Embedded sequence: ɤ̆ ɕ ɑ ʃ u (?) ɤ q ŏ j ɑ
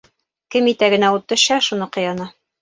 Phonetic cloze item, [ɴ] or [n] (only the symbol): n